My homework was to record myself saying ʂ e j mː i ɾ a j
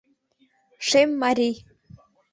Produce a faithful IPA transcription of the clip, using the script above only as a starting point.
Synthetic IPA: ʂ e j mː a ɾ i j